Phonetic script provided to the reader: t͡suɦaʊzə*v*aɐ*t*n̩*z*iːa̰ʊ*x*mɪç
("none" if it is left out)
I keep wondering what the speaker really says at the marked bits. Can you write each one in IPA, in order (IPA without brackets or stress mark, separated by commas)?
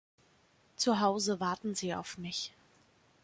v, t, z, f